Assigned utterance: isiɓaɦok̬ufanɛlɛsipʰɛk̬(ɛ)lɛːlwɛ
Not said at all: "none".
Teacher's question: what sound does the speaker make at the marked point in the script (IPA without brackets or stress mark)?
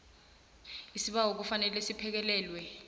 ɛ